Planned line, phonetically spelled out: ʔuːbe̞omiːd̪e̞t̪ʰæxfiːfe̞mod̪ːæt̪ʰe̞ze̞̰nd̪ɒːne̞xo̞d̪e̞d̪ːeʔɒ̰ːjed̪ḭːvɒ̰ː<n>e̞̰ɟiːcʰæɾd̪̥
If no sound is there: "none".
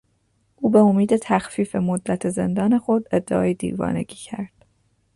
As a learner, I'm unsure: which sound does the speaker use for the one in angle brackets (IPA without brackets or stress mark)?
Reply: n